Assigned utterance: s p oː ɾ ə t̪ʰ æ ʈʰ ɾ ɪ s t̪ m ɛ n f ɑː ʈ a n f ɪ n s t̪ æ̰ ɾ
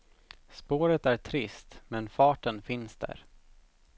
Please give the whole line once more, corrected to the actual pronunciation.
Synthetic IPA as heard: s p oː ɾ ə t̪ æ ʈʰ ɾ ɪ s t̪ m ɛ n f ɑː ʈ ə n f ɪ n s d̪ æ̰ ɾ

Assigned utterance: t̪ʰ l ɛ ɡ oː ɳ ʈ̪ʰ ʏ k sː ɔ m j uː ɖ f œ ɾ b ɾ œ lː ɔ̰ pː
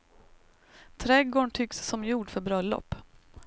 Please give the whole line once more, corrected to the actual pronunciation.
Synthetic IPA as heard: t̪ʰ ɾ ɛ ɡ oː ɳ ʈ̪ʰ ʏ k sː ɔ m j uː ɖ f œ ɾ b ɾ œ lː ɔ̰ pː

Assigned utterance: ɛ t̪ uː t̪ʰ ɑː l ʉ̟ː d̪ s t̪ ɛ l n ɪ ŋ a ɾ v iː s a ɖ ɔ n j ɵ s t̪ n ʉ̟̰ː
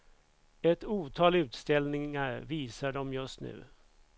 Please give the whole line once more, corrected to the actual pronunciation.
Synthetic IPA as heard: ɛ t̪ uː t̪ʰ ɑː l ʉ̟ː t̪ s t̪ ɛ l n ɪ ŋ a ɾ v iː s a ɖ ɔ m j ɵ s t̪ n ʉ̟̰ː

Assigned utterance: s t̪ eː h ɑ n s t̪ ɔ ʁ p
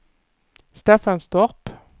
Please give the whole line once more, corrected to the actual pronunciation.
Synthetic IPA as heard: s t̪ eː f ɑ n s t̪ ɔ ʁ p

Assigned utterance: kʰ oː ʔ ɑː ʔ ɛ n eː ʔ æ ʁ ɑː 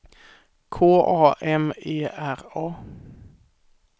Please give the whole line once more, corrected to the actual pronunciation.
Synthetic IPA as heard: kʰ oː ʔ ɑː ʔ ɛ m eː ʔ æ ʁ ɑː

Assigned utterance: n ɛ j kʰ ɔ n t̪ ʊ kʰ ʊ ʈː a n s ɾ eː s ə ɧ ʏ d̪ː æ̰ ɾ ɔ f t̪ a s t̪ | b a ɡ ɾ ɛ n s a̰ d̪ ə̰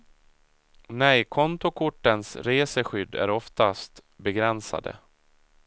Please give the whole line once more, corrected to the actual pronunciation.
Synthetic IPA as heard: n ɛ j kʰ ɔ n t̪ ʊ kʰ ʊ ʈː ə n s ɾ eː s ə ɧ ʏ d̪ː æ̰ ɾ ɔ f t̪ a s t̪ | b ɛ ɡ ɾ ɛ n s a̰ d̪ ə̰

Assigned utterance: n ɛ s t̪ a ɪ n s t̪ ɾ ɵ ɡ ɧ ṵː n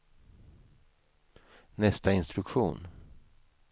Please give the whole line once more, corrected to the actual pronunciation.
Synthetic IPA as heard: n ɛ s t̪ a ɪ n s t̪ ɾ ɵ k ɧ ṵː n

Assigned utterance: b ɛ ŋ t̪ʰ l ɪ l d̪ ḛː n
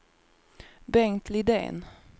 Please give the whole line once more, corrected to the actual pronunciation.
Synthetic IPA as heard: b ɛ ŋ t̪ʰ l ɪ d̪ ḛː n

